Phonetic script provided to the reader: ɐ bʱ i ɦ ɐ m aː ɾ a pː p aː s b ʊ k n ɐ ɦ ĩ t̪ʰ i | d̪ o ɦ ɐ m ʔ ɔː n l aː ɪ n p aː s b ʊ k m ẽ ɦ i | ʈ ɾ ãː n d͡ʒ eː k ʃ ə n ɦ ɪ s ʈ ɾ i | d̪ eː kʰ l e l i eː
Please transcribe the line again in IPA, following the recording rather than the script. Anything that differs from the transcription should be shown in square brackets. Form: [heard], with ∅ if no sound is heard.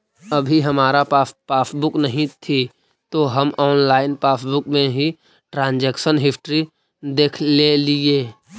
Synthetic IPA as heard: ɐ bʱ i ɦ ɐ m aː ɾ a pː p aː s b ʊ k n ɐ ɦ ĩ t̪ʰ i | [t̪] o ɦ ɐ m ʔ ɔː n l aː ɪ n p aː s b ʊ k m ẽ ɦ i | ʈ ɾ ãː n d͡ʒ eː k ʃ ə n ɦ ɪ s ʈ ɾ i | d̪ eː kʰ l e l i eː

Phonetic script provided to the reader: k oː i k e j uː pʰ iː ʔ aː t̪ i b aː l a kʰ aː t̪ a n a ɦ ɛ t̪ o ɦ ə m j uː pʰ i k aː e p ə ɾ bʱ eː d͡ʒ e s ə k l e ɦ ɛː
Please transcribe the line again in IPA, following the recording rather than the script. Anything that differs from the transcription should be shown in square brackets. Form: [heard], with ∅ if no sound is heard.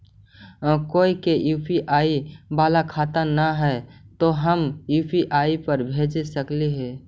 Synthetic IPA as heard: k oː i k e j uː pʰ [i] ʔ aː [∅] i b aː l a kʰ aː t̪ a n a ɦ ɛ t̪ o ɦ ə m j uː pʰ i [ʔ] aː [i] p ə ɾ bʱ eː d͡ʒ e s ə k l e ɦ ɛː

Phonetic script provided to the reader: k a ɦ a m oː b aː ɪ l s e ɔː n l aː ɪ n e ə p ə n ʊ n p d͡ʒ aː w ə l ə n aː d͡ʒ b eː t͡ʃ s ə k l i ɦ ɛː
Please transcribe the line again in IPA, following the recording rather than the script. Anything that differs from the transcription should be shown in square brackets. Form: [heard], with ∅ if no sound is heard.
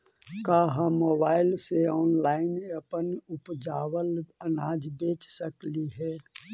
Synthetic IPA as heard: k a ɦ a m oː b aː ɪ l s e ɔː n l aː ɪ n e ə p ə n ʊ [∅] p d͡ʒ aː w ə l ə n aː d͡ʒ b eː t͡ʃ s ə k l i ɦ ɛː

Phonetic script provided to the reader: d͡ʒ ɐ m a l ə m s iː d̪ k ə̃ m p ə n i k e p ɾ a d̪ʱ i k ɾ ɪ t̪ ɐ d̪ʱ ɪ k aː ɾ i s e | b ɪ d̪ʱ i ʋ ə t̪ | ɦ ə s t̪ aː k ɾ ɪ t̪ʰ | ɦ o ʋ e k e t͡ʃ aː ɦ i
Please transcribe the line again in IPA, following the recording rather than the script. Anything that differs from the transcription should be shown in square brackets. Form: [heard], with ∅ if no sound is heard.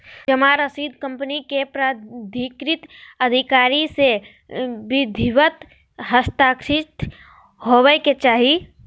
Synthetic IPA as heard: d͡ʒ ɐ m a [ɾ] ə [∅] s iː d̪ k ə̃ m p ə n i k e p ɾ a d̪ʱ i k ɾ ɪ t̪ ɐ d̪ʱ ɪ k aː ɾ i s e | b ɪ d̪ʱ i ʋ ə t̪ | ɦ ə s t̪ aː k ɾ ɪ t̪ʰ | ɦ o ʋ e k e t͡ʃ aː ɦ i

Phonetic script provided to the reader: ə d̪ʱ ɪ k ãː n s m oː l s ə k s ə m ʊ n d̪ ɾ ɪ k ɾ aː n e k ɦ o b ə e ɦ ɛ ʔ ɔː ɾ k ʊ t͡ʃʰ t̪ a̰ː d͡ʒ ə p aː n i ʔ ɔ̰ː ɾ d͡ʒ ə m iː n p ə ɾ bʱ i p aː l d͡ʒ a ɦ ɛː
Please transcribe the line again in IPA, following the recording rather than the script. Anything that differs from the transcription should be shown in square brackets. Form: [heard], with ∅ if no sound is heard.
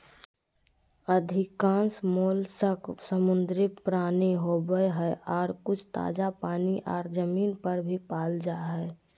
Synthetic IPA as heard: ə d̪ʱ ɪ k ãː n s m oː l s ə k s ə m ʊ n d̪ ɾ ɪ [p] ɾ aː n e [∅] ɦ o b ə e ɦ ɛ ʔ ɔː ɾ k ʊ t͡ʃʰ t̪ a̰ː d͡ʒ [a] p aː n i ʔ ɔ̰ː ɾ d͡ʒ ə m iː n p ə ɾ bʱ i p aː l d͡ʒ a ɦ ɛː

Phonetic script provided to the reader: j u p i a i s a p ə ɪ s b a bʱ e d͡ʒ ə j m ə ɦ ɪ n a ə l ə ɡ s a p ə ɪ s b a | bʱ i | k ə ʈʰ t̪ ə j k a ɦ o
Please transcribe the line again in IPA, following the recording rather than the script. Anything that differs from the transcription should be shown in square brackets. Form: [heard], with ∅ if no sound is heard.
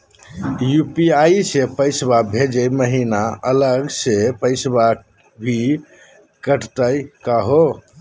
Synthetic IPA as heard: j u p i a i s [e] p ə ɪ s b a bʱ e d͡ʒ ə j m ə ɦ [i] n a ə l ə ɡ s [e] p ə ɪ s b a | bʱ i | k ə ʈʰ t̪ ə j k a ɦ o

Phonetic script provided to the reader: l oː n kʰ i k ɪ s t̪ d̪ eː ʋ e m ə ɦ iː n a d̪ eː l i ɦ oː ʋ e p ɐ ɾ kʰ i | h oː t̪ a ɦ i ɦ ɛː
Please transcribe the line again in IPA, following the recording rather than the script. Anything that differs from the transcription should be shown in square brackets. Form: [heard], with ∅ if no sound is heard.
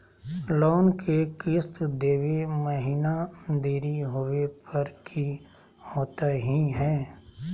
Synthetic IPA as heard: l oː n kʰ [e] k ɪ s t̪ d̪ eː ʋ e m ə ɦ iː n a d̪ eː [ɾ] i ɦ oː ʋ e p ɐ ɾ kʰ i | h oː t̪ a ɦ i ɦ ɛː

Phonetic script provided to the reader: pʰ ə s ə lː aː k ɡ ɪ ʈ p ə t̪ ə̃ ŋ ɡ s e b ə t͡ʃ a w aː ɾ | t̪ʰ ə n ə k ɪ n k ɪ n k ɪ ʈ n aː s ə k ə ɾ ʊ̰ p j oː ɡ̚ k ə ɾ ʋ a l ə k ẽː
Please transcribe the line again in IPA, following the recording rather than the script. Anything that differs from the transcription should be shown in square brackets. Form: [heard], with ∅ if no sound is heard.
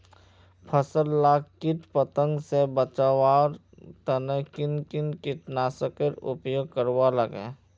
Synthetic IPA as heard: pʰ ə s ə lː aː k [k] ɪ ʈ p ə t̪ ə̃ ŋ ɡ s e b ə t͡ʃ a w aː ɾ | [t̪] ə n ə k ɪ n k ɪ n k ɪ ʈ n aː s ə k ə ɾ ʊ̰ p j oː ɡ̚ k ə ɾ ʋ a l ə [ɡ] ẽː

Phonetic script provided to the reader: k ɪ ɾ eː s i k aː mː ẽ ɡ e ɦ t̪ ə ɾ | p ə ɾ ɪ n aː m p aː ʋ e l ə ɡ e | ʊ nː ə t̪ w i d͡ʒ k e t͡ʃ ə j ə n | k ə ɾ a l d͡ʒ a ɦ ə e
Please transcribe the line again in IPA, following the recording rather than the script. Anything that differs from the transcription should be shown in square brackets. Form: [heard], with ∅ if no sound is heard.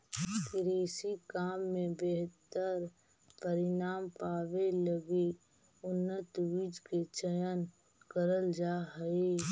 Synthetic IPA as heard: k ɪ ɾ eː s i k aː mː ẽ [b] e ɦ t̪ ə ɾ | p ə ɾ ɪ n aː m p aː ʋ e l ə ɡ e | ʊ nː ə t̪ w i d͡ʒ k e t͡ʃ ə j ə n | k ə ɾ [ə] l d͡ʒ a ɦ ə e

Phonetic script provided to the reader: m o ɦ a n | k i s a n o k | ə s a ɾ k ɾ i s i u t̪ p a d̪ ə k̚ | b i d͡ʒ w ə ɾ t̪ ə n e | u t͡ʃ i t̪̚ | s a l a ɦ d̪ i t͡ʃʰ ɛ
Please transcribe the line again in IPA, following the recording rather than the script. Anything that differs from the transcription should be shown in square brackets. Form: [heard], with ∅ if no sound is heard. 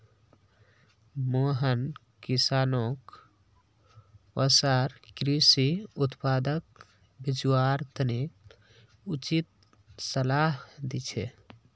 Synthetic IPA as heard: m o ɦ [ə] n | k i s a n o k | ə s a ɾ k ɾ i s i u t̪ p a d̪ ə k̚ | b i d͡ʒ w [a] ɾ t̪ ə n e | u t͡ʃ i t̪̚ | s [ə] l a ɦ d̪ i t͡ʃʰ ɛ

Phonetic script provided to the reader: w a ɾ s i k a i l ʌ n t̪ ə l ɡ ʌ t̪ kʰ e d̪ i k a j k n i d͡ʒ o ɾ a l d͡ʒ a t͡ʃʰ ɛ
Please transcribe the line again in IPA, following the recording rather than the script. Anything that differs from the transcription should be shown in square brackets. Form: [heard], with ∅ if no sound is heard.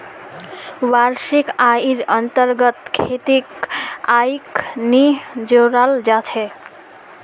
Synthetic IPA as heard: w a ɾ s i k a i [ɾ] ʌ n t̪ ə [ɾ] ɡ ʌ t̪ kʰ e [t̪] i k a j k n i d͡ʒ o ɾ a l d͡ʒ a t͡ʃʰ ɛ

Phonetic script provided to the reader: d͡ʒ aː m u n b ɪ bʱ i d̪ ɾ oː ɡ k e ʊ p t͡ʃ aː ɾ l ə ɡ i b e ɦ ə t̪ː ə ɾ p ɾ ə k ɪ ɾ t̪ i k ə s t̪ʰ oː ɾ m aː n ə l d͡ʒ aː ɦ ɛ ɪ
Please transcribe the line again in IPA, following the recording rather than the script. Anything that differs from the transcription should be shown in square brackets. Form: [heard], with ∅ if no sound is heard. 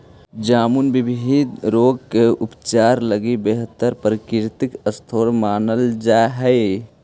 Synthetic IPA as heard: d͡ʒ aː m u n b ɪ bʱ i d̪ ɾ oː ɡ k e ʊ p t͡ʃ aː ɾ l ə ɡ i b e ɦ ə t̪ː ə ɾ p ɾ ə k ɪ ɾ t̪ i k ə s t̪ʰ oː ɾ m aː n ə l d͡ʒ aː ɦ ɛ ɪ

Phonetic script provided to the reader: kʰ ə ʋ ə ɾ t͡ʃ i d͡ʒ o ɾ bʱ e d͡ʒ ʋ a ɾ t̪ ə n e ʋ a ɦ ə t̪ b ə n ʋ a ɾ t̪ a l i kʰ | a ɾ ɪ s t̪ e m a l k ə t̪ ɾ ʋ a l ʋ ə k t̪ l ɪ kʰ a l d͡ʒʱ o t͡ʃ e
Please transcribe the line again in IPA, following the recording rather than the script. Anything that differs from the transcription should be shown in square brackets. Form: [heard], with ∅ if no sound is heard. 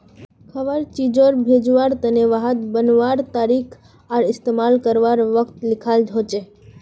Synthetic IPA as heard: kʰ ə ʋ ə ɾ t͡ʃ i d͡ʒ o ɾ bʱ e d͡ʒ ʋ a ɾ t̪ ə n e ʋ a ɦ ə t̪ b ə n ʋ a ɾ t̪ a [ɾ] i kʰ | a ɾ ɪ s t̪ e m a l k ə [∅] ɾ ʋ a [ɾ] ʋ ə k t̪ l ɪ kʰ a l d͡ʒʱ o t͡ʃ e

